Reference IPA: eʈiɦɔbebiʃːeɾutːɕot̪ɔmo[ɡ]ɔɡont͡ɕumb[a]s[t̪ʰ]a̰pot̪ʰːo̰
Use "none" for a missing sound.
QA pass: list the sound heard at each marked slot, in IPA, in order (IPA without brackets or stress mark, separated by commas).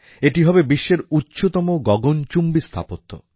ɡ, i, t̪ʰ